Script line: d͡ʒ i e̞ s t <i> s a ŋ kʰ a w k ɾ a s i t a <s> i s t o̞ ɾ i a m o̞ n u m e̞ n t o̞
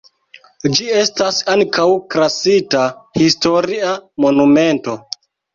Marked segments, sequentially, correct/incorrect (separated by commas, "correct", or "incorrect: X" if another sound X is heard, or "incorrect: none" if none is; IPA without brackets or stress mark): incorrect: a, incorrect: h